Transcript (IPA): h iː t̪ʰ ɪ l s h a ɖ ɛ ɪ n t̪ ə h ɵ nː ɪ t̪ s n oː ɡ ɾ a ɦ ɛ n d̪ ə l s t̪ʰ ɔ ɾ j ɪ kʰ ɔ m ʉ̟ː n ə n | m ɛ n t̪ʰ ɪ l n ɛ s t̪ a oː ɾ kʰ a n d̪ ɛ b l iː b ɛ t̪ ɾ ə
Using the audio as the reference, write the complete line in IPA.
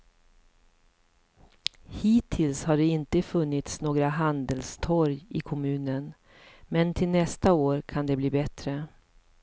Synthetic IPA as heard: h iː t̪ʰ ɪ l s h a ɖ ɛ ɪ n t̪ ə f ɵ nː ɪ t̪ s n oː ɡ ɾ a ɦ a n d̪ ə l s t̪ʰ ɔ ɾ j ɪ kʰ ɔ m ʉ̟ː n ə n | m ɛ n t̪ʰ ɪ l n ɛ s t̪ a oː ɾ kʰ a n d̪ ɛ b l iː b ɛ t̪ ɾ ə